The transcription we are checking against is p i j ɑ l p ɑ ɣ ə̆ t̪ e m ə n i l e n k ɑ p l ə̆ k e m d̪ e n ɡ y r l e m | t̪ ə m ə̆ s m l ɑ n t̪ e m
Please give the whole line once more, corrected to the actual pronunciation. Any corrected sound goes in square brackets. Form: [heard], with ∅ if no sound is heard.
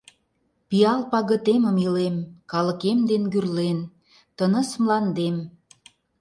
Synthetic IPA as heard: p i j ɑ l p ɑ ɣ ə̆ t̪ e m ə [m] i l e [m] k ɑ [∅] l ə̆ k e m d̪ e n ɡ y r l e [n] | t̪ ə [n] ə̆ s m l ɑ n [d̪] e m